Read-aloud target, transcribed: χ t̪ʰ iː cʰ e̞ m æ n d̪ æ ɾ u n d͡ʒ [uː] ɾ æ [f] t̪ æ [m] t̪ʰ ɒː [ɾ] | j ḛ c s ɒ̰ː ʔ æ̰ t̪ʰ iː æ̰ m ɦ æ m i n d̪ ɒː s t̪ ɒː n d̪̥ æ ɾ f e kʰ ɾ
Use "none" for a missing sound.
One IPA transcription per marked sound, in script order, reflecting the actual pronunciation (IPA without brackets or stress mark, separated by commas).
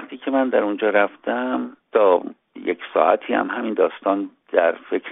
ɒː, f, m, none